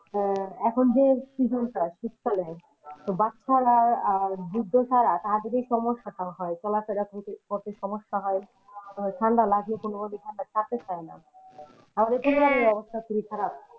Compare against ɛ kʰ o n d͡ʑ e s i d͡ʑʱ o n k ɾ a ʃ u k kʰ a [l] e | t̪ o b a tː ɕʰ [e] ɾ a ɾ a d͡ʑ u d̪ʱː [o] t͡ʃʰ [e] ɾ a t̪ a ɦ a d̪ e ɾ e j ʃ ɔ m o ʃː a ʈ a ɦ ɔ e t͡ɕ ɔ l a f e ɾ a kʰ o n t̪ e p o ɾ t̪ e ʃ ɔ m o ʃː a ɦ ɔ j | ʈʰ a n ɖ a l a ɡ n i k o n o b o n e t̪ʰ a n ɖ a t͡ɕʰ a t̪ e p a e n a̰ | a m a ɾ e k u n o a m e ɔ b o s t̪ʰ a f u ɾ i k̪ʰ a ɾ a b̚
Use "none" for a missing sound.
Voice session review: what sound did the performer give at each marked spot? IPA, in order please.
l, a, o, a

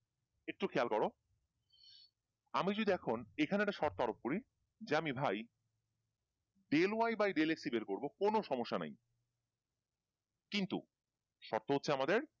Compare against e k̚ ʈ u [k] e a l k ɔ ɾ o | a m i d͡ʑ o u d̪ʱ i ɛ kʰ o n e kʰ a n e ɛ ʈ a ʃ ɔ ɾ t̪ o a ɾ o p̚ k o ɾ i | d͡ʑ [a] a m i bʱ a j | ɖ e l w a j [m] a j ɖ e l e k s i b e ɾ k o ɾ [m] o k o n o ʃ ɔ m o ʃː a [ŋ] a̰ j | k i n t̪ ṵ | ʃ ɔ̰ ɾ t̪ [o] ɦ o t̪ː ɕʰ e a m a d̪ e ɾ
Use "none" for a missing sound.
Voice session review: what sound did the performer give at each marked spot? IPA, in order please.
kʰ, e, b, b, n, o

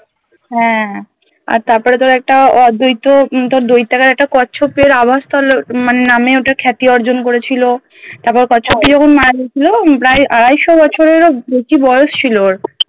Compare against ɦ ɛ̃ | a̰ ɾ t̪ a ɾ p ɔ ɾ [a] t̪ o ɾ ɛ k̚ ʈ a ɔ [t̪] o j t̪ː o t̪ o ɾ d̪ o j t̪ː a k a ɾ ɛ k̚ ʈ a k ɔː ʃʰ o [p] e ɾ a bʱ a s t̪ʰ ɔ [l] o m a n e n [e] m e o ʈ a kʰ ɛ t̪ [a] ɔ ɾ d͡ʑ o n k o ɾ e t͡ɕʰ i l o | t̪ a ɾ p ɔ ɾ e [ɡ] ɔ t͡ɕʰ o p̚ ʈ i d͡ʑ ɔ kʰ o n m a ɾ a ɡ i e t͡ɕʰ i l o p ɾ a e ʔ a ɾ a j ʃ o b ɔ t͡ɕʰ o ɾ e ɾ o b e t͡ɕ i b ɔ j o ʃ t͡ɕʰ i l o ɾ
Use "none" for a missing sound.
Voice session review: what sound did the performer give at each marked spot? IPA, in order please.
e, d̪, p, l, a, i, k

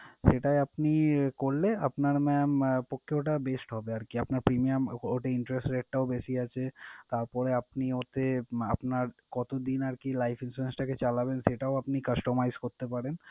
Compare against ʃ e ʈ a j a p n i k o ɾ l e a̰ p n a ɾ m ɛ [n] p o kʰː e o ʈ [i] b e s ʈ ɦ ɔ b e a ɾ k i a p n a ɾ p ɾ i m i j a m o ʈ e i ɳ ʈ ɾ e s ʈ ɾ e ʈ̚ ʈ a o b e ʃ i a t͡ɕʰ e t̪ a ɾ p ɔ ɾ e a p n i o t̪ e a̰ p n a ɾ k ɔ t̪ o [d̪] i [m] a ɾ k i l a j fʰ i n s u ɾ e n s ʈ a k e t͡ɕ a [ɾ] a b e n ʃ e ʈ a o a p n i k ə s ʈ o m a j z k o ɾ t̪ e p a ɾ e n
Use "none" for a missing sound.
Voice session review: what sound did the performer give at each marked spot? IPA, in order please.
m, a, d̪, n, l

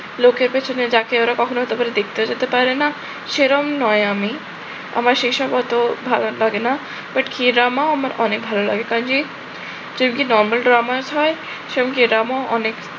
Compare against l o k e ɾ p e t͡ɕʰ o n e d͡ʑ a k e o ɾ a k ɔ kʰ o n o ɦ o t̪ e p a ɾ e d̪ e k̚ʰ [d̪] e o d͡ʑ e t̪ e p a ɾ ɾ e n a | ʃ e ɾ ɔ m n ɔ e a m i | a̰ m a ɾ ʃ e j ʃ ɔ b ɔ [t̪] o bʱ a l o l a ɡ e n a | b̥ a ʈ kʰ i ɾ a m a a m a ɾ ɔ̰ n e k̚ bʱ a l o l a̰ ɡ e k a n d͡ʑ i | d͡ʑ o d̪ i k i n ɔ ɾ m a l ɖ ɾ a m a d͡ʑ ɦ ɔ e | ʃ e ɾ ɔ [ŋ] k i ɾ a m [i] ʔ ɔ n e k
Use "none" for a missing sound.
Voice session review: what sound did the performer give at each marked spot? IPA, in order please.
t̪, t̪, m, a

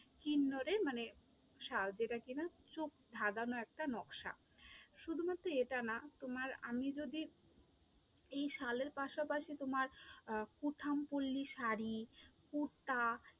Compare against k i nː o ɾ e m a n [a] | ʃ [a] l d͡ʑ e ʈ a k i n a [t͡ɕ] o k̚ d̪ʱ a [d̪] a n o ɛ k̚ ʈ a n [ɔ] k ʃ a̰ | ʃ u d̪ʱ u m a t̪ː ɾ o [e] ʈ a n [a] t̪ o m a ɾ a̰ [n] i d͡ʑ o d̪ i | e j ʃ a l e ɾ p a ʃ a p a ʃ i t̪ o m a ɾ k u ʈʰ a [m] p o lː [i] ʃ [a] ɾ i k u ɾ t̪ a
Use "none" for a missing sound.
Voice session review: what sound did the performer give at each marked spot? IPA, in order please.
e, a, t͡ɕ, d̪, ɔ, e, a, m, m, i, a

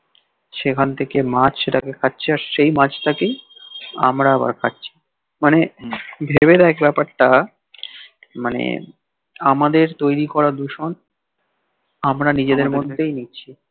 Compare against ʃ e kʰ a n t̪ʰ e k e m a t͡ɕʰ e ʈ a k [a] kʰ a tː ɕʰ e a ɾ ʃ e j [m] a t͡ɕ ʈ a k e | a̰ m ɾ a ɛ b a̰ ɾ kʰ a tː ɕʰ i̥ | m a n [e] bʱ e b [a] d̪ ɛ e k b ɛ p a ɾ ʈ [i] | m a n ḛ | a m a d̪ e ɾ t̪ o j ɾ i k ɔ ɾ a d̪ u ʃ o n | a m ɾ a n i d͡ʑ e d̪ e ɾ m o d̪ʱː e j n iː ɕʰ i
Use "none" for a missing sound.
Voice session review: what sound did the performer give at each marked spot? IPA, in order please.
e, m, e, e, a

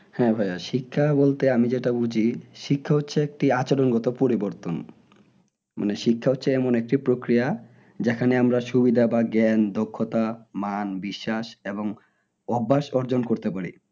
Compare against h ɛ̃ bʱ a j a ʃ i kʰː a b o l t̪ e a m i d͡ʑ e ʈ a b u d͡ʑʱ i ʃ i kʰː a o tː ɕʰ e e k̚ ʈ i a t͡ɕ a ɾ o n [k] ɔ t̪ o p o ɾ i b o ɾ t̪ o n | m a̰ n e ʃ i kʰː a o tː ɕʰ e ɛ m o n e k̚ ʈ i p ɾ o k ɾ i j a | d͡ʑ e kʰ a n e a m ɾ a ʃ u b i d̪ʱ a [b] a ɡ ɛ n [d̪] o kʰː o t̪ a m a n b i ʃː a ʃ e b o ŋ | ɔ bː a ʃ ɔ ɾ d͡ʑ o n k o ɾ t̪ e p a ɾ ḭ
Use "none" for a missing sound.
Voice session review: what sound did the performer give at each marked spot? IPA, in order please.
ɡ, b, d̪

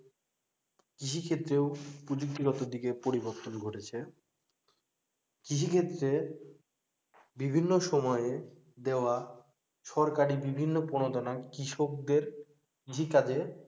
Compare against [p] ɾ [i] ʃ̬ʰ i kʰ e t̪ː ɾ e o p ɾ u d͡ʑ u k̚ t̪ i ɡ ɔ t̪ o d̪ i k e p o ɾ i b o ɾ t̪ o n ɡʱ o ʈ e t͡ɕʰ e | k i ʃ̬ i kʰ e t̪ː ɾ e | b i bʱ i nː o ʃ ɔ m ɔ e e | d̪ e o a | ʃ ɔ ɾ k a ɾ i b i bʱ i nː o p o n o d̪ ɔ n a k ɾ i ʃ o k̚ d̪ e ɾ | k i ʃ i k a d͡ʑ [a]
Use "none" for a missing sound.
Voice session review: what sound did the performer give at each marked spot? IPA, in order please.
k, i, e

